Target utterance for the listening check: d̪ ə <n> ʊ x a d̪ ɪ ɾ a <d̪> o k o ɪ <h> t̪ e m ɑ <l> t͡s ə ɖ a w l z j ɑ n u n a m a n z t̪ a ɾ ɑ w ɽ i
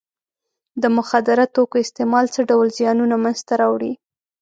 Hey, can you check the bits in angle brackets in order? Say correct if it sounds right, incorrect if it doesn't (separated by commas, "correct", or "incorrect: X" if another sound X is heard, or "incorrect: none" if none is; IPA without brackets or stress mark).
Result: incorrect: m, incorrect: t̪, incorrect: s, correct